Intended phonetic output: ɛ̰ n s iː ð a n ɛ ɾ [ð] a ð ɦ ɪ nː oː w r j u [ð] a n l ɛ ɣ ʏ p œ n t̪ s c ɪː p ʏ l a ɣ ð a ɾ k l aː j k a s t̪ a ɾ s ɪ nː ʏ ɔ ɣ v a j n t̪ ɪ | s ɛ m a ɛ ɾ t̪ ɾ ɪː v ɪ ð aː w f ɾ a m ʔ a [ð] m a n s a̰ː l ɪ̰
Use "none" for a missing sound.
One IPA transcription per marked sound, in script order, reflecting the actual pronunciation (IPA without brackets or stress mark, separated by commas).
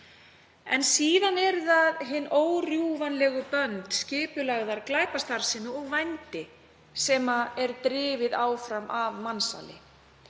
ð, v, v